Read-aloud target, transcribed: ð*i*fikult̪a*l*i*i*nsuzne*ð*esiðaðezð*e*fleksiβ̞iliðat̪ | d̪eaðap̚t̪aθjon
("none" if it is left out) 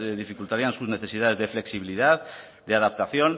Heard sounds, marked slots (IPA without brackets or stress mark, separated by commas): i, ɾ, a, θ, e